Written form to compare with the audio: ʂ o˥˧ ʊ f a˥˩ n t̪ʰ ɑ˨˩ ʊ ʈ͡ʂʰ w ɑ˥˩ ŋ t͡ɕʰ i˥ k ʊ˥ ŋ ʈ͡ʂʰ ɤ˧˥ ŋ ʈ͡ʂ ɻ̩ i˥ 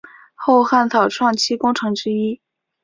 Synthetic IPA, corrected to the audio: x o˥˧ ʊ x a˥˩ n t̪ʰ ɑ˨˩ ʊ ʈ͡ʂʰ w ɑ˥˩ ŋ t͡ɕʰ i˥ k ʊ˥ ŋ ʈ͡ʂʰ ɤ˧˥ ŋ ʈ͡ʂ ɻ̩ i˥